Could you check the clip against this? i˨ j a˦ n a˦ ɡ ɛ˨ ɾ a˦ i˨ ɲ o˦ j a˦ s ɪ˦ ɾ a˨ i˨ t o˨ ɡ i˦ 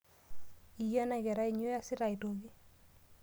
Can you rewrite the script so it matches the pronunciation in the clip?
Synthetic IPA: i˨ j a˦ n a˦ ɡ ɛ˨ ɾ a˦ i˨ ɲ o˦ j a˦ s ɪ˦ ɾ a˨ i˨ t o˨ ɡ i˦

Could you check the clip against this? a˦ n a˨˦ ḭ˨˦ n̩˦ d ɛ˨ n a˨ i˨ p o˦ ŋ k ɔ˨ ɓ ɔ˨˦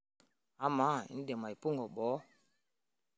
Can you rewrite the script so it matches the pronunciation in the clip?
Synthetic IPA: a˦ m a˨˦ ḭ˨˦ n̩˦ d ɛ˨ m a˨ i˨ p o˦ ŋ ɡ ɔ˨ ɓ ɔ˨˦

